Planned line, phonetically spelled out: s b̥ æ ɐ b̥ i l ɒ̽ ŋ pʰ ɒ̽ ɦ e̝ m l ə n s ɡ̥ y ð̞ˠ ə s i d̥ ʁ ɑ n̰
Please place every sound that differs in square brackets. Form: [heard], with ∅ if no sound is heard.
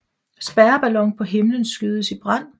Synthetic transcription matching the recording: s b̥ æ ɐ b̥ [æ] l ɒ̽ ŋ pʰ ɒ̽ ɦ e̝ m l ə n s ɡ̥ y ð̞ˠ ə s i [b̥] ʁ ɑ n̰

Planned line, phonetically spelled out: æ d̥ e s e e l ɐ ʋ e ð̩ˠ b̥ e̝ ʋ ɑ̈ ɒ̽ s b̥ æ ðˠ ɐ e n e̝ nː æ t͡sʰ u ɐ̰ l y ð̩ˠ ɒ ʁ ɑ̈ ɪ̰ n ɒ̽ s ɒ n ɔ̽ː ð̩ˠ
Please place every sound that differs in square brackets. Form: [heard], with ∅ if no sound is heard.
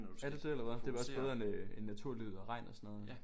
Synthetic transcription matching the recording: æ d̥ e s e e l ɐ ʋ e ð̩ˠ [d̥] e̝ ʋ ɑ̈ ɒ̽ s b̥ [e] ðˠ ɐ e n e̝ nː æ t͡sʰ u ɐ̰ l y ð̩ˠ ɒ ʁ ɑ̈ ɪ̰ n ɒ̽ s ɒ n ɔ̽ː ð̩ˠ

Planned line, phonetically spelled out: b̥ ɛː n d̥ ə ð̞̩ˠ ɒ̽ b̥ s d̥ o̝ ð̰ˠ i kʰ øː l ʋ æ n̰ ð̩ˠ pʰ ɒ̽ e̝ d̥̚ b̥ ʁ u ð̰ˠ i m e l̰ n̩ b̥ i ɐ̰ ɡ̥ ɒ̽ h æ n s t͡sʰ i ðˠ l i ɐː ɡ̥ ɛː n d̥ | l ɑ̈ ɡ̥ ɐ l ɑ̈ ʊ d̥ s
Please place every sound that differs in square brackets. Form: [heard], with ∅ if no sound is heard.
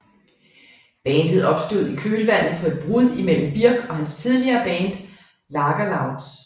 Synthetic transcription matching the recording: b̥ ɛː n d̥ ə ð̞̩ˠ ɒ̽ b̥ s d̥ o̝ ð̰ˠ i kʰ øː l ʋ æ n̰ ð̩ˠ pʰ ɒ̽ e̝ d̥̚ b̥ ʁ u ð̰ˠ i m e l̰ [m̩] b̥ i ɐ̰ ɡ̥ ɒ̽ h æ n s t͡sʰ i ðˠ l i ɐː [b̥] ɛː n d̥ | l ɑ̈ ɡ̥ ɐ l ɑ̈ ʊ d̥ s

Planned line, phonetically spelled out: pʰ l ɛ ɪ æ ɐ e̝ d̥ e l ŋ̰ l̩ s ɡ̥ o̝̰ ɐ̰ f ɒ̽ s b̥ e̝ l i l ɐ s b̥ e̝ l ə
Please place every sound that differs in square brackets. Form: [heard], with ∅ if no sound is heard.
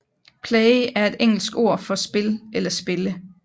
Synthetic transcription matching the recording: pʰ l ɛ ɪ æ ɐ e̝ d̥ e [∅] ŋ̰ l̩ s ɡ̥ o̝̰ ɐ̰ f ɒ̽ s b̥ e̝ l [e] l ɐ s b̥ e̝ l ə

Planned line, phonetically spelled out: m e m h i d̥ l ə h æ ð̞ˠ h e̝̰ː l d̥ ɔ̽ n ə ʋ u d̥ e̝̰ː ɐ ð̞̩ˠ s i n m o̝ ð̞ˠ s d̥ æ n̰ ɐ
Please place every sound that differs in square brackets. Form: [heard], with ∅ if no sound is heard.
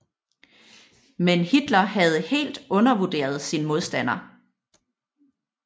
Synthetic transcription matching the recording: m e [n] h i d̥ l [ɐ] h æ ð̞ˠ h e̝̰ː l d̥ ɔ̽ n [ɐ] ʋ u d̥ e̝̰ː ɐ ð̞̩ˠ s i n m o̝ ð̞ˠ s d̥ æ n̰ ɐ

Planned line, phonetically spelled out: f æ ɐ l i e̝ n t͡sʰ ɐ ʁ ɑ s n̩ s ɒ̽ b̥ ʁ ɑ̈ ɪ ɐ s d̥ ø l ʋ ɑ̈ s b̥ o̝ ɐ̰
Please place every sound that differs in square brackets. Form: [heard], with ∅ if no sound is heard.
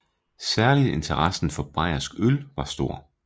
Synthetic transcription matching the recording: [s] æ ɐ l i e̝ n t͡sʰ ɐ ʁ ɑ s n̩ [f] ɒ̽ b̥ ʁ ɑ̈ ɪ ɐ s [ɡ̥] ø l ʋ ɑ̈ s [d̥] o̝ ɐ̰

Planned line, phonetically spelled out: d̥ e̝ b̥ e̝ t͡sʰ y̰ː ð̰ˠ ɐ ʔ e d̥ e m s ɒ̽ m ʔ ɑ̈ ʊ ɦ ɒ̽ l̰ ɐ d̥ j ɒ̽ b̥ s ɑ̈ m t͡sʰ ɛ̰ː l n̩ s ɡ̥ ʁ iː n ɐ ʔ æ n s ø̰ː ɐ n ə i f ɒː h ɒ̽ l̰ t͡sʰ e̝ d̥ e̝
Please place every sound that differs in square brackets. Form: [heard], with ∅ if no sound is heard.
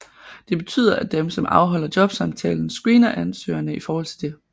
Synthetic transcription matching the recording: d̥ e̝ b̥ e̝ t͡sʰ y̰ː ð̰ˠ ɐ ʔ [æ] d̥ e m s ɒ̽ m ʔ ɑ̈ ʊ ɦ ɒ̽ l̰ ɐ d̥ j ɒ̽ b̥ s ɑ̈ m t͡sʰ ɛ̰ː l n̩ s ɡ̥ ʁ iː n ɐ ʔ æ n s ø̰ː ɐ n ə i f ɒː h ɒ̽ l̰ t͡sʰ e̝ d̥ e̝

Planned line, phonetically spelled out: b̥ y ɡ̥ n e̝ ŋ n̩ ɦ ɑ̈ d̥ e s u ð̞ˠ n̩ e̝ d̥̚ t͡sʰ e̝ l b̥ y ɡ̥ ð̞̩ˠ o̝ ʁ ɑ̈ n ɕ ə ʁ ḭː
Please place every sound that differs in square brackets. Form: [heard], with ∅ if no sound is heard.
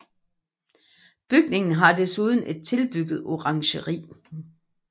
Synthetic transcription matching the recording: b̥ y ɡ̥ n e̝ ŋ n̩ ɦ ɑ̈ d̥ e s u ð̞ˠ n̩ e̝ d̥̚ t͡sʰ e̝ l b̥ y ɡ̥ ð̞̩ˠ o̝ ʁ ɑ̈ [ŋ] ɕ ə ʁ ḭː

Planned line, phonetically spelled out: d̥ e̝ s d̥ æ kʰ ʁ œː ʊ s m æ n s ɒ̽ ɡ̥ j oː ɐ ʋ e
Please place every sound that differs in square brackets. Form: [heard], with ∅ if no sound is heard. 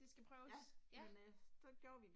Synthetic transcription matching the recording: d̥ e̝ s [ɡ̥] æ [pʰ] ʁ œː ʊ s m [e] n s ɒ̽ ɡ̥ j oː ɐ ʋ [i]

